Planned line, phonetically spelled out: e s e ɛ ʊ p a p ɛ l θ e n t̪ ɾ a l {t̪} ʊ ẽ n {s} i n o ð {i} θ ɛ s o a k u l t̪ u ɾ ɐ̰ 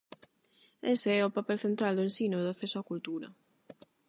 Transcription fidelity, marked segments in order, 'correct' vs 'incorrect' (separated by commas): incorrect, correct, incorrect